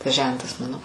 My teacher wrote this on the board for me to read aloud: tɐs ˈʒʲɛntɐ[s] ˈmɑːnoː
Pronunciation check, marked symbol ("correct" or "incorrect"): correct